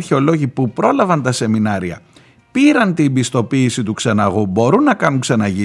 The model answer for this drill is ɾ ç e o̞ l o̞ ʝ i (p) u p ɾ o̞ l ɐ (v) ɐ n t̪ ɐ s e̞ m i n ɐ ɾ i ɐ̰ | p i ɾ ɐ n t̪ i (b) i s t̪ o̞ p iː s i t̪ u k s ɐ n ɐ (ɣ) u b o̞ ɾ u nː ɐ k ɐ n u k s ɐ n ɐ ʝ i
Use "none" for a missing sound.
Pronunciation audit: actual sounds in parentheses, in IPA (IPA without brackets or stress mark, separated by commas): p, v, b, ɣ